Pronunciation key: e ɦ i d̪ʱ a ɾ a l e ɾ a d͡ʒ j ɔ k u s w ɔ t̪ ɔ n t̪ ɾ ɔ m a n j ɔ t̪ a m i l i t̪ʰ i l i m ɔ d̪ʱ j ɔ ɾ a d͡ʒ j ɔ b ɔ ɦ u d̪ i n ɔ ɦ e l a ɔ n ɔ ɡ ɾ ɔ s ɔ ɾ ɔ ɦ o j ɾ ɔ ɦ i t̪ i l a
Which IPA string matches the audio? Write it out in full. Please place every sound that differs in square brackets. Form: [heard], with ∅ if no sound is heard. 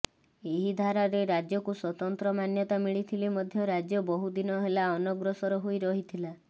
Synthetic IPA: e ɦ i d̪ʱ a ɾ a [ɾ] e ɾ a d͡ʒ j ɔ k u s w ɔ t̪ ɔ n t̪ ɾ ɔ m a n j ɔ t̪ a m i [ɭ] i t̪ʰ i l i m ɔ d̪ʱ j ɔ ɾ a d͡ʒ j ɔ b ɔ ɦ u d̪ i n ɔ ɦ e l a ɔ n ɔ ɡ ɾ ɔ s ɔ ɾ ɔ ɦ o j ɾ ɔ ɦ i [t̪ʰ] i l a